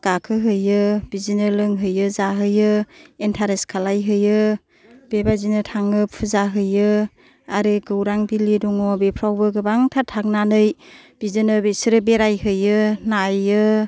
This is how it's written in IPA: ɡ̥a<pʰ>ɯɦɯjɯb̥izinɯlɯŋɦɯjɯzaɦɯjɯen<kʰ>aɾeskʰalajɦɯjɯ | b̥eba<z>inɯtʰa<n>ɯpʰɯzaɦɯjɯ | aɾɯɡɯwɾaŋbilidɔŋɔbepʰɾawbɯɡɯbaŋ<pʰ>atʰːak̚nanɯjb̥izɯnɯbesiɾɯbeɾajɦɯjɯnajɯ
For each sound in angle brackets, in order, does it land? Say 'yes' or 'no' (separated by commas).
no, no, yes, no, no